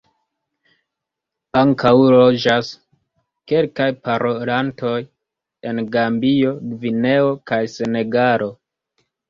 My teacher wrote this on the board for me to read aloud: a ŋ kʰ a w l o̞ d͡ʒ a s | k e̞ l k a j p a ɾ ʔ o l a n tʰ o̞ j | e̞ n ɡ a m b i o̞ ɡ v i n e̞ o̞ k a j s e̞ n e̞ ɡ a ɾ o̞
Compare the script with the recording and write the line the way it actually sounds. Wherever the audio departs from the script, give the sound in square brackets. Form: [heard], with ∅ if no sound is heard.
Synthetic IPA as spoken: a ŋ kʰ a w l o̞ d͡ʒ a s | k e̞ l k a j p a ɾ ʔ o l a n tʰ o̞ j | e̞ n ɡ a m b i o̞ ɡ v i n e̞ o̞ k a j s e̞ n e̞ ɡ a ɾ o̞